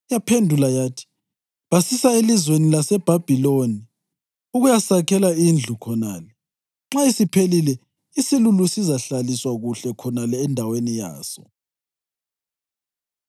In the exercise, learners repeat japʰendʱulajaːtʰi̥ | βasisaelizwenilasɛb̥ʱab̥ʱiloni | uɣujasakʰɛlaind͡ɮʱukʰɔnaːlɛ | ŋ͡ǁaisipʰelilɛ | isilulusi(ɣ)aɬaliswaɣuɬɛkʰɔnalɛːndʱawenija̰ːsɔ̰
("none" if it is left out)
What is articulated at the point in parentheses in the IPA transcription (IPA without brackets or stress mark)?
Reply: z